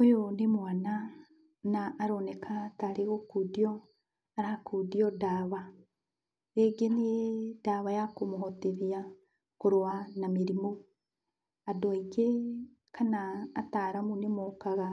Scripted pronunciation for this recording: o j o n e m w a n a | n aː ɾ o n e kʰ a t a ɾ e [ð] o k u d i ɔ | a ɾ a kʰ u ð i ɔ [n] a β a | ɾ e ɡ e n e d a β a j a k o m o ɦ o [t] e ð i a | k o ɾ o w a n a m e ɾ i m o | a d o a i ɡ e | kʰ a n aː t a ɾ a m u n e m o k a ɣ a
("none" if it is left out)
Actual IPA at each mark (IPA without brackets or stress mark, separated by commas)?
ɣ, d, t